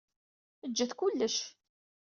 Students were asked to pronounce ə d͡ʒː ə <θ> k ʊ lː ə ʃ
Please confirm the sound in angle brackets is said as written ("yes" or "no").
yes